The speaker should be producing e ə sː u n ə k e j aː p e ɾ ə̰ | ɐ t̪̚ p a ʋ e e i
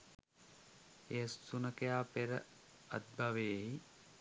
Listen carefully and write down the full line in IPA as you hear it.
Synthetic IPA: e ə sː u n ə k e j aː p e ɾ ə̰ | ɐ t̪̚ b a ʋ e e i